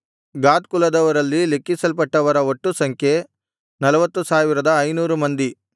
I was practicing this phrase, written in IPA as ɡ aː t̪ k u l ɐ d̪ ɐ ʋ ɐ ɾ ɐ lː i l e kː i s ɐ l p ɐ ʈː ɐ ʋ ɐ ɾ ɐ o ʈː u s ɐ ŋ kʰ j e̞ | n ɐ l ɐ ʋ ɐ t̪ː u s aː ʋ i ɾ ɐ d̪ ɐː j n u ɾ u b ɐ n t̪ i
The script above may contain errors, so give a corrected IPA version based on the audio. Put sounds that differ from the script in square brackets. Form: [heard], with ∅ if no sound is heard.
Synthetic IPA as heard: ɡ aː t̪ k u l ɐ d̪ ɐ ʋ ɐ ɾ ɐ lː i l e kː i s ɐ l p ɐ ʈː ɐ ʋ ɐ ɾ ɐ o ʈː u s ɐ ŋ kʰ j e̞ | n ɐ l ɐ ʋ ɐ t̪ː u s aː ʋ i ɾ ɐ d̪ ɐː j n [uː] ɾ u [m] ɐ n [d̪] i